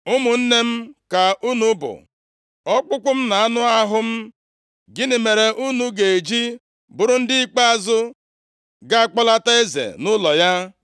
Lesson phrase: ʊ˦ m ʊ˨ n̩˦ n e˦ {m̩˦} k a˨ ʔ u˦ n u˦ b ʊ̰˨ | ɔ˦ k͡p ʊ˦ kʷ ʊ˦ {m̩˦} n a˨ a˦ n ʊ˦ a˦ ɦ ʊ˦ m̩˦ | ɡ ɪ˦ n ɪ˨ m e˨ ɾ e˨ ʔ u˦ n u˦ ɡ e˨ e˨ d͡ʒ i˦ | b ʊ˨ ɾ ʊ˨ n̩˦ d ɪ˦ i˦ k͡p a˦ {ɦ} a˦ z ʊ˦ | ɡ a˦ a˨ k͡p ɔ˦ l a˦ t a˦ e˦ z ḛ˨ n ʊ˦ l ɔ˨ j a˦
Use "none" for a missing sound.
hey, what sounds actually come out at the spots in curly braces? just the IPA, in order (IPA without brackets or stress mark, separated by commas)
m̩˦, m̩˦, none